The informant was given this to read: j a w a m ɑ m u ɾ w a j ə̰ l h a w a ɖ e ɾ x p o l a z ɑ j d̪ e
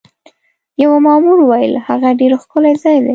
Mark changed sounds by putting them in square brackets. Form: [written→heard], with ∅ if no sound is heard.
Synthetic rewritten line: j a w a m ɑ m u ɾ w a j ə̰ l h a [w→ɣ] a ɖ e ɾ x [p→k] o l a z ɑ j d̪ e